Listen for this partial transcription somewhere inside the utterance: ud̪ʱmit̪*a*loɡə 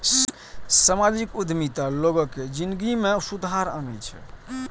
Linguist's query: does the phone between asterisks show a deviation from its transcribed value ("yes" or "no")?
no